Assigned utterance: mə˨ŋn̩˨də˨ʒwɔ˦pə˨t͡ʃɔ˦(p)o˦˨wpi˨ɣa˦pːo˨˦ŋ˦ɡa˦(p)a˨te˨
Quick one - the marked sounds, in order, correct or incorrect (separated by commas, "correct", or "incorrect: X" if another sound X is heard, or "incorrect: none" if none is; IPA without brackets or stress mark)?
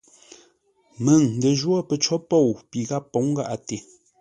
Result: correct, incorrect: ʔ